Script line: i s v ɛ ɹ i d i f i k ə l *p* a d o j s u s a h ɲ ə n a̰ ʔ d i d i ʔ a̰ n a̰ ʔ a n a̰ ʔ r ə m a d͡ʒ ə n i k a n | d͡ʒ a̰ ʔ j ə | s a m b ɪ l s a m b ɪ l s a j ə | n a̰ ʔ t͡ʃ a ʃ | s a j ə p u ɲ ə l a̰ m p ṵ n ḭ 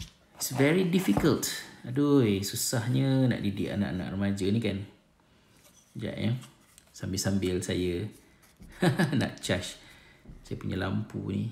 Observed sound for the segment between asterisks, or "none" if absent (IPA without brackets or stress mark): t